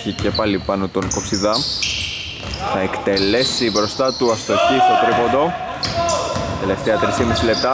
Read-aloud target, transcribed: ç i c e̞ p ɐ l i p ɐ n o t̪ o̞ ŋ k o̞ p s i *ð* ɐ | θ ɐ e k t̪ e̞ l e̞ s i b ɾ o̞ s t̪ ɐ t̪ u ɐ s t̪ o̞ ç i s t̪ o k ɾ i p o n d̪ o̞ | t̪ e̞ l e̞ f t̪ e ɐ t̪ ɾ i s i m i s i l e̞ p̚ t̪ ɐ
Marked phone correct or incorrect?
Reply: correct